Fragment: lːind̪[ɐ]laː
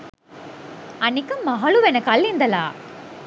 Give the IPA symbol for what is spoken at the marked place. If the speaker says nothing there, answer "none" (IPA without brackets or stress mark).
ɐ